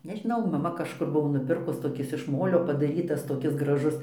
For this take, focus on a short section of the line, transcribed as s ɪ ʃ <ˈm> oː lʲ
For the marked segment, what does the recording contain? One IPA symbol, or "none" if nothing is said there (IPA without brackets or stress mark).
m